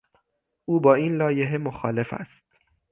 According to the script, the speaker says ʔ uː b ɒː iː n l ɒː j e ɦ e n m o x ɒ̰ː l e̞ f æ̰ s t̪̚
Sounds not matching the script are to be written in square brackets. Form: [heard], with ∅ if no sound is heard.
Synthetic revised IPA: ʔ uː b ɒː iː n l ɒː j e ɦ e [∅] m o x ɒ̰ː l e̞ f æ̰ s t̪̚